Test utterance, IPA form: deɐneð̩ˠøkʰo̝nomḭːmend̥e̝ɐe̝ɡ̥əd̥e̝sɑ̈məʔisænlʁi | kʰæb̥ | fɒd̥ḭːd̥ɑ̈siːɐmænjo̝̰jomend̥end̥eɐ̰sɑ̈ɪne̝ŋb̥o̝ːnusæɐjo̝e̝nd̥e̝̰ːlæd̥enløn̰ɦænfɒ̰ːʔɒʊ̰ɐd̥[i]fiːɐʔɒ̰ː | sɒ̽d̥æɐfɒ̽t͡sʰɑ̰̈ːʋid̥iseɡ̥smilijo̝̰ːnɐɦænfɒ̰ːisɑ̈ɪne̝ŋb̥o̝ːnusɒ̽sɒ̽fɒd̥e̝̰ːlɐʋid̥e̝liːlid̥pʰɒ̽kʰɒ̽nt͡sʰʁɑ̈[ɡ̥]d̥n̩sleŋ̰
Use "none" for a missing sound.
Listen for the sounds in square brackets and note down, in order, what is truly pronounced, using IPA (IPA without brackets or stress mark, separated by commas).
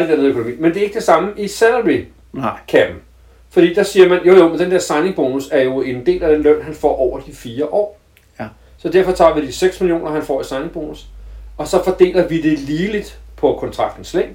i, ɡ̥